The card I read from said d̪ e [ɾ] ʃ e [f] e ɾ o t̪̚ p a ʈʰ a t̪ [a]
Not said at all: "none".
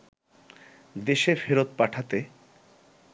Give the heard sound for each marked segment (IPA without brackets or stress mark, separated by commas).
none, f, e